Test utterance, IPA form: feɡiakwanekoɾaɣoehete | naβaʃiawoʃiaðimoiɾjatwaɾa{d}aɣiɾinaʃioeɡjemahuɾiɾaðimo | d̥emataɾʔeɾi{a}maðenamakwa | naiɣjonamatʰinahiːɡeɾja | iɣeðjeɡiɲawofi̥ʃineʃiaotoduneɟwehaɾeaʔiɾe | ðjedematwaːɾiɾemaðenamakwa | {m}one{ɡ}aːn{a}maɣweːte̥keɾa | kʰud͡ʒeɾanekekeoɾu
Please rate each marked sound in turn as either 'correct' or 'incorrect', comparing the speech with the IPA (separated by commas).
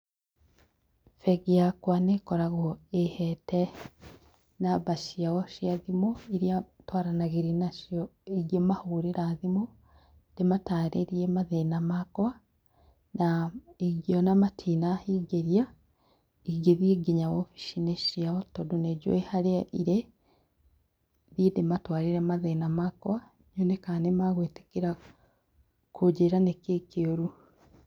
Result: incorrect, incorrect, incorrect, incorrect, incorrect